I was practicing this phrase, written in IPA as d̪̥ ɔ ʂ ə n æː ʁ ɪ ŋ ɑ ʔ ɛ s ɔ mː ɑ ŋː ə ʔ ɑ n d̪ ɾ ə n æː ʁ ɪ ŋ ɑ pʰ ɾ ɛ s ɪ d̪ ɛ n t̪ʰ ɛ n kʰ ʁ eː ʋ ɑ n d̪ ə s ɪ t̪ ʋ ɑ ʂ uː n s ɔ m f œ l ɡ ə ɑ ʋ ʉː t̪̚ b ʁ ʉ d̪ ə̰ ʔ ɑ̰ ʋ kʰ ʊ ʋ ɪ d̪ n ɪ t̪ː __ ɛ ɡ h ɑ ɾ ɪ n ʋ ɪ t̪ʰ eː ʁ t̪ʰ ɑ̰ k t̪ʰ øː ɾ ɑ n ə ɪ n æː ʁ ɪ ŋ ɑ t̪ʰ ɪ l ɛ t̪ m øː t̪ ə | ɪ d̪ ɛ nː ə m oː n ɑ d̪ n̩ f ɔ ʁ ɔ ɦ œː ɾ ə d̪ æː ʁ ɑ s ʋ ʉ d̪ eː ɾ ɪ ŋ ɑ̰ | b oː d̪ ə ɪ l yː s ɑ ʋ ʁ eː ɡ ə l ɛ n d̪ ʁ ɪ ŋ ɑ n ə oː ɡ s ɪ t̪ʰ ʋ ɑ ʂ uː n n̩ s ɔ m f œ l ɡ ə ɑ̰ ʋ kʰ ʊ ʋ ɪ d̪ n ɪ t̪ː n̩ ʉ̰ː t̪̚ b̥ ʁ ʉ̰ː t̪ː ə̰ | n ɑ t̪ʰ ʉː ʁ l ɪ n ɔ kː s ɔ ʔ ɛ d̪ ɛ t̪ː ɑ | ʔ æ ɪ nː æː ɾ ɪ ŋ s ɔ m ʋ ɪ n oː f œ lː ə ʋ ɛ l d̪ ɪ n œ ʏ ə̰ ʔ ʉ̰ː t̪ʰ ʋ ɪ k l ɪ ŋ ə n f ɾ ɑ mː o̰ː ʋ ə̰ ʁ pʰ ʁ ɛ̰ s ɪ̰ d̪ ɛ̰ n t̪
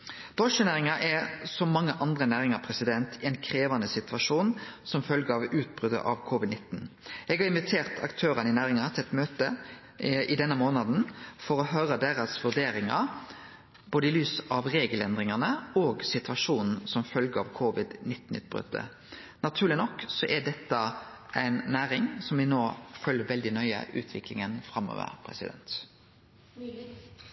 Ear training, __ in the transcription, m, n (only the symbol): n